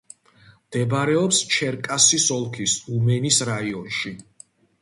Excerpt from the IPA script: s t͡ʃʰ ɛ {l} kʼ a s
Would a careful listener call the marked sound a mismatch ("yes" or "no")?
yes